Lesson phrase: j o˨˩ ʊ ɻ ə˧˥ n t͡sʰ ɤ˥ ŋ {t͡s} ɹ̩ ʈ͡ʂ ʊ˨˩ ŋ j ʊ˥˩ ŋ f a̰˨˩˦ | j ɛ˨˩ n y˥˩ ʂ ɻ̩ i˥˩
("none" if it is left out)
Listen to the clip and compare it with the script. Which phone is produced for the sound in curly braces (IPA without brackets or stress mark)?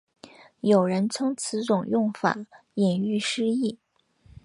t͡sʰ